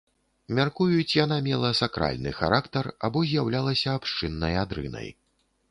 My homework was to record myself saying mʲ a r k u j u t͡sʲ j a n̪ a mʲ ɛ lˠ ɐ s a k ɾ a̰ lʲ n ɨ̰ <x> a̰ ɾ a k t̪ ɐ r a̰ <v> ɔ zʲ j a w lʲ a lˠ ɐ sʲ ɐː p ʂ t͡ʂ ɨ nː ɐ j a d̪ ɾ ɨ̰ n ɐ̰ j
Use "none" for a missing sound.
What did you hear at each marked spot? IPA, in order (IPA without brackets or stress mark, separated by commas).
x, b